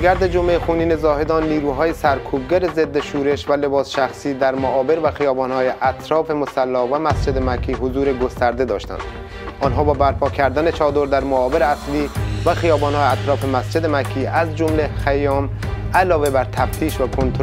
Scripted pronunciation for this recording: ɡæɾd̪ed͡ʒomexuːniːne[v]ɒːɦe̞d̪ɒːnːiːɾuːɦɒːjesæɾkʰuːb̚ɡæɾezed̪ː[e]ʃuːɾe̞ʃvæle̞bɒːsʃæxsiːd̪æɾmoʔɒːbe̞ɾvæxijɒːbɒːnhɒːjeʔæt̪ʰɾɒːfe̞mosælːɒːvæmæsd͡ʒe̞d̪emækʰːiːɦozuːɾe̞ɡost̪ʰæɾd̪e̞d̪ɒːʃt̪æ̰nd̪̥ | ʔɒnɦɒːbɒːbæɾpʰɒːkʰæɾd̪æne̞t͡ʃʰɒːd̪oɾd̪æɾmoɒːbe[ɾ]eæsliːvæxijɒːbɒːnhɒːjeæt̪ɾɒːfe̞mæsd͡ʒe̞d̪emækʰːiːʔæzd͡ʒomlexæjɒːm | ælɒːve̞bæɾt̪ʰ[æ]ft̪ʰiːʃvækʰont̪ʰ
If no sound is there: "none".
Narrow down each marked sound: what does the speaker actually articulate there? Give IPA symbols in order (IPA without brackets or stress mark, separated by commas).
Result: z, e, ɾ, æ